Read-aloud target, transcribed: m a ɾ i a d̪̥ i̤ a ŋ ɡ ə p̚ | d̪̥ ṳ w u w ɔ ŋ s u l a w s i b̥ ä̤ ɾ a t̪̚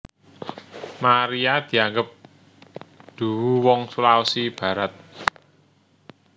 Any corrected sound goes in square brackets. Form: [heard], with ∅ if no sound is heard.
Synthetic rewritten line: m a ɾ i a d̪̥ i̤ a ŋ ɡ ə p̚ | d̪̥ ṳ w u w ɔ ŋ s u l a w s i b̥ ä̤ ɾ a t̪̚